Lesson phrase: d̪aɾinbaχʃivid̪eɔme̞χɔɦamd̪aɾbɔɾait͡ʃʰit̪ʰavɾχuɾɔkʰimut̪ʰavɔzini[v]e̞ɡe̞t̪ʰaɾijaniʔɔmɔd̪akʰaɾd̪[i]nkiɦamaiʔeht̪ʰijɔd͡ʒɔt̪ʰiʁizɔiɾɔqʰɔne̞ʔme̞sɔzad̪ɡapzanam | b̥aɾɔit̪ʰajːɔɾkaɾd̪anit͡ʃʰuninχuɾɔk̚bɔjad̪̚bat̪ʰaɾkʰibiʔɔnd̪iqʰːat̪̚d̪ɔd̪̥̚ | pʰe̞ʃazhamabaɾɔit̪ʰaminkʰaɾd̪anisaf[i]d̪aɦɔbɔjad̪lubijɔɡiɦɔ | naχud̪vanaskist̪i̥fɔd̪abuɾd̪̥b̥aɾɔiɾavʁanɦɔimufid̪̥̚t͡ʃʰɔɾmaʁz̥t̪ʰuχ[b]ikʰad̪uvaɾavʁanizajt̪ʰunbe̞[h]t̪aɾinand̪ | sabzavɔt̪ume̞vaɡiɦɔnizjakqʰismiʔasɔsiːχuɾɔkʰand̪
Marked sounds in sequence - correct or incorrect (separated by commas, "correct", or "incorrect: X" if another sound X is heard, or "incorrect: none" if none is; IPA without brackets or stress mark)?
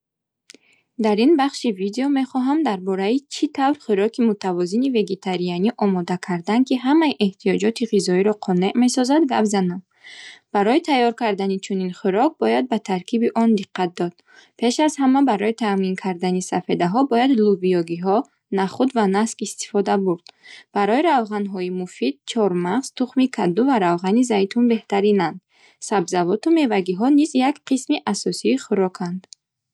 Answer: correct, incorrect: a, incorrect: e, incorrect: m, correct